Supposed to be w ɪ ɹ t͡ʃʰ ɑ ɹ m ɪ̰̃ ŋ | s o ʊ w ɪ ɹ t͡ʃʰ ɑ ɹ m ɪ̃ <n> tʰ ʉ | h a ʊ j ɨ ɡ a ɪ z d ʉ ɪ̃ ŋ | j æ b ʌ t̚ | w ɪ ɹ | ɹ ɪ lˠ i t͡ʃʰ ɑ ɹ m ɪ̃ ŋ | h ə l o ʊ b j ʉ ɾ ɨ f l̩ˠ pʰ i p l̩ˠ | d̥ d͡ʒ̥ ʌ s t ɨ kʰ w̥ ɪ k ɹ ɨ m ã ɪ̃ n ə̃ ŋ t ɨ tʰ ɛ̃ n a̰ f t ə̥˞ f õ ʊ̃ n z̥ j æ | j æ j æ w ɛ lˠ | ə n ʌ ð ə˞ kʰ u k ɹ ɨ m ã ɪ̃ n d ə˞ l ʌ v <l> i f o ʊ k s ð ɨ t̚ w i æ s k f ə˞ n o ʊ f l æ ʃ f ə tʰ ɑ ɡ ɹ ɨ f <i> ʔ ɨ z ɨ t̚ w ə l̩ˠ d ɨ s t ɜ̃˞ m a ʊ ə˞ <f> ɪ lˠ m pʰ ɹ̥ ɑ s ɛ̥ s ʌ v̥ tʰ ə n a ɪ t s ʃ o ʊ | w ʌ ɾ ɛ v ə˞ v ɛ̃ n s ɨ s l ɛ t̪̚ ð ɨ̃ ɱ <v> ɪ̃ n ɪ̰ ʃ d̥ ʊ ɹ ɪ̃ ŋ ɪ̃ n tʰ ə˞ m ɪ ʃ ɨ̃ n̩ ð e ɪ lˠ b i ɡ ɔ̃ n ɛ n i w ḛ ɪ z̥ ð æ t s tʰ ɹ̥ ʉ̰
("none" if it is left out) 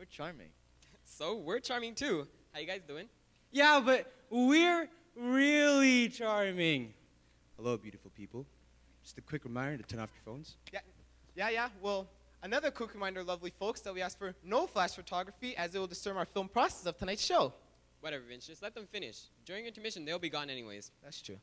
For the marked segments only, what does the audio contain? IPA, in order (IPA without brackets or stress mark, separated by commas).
ŋ, l, i, f, f